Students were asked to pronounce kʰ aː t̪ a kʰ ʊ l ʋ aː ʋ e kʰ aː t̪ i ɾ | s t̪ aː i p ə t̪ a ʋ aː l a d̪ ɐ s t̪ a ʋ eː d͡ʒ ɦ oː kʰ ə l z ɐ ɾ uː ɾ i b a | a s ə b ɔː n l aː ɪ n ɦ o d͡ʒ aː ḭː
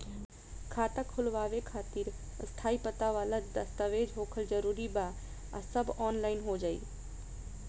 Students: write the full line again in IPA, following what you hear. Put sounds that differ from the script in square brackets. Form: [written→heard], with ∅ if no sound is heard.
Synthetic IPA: kʰ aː t̪ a kʰ ʊ l ʋ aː ʋ e kʰ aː t̪ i ɾ | s [t̪→t̪ʰ] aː i p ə t̪ a ʋ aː l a d̪ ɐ s t̪ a ʋ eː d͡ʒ ɦ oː kʰ ə l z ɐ ɾ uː ɾ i b a | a s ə b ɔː n l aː ɪ n ɦ o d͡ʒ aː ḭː